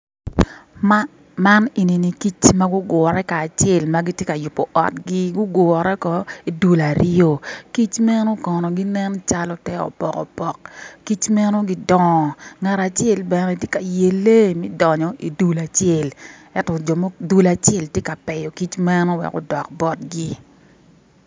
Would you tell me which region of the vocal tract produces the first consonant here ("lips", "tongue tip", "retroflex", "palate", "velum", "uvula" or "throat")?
lips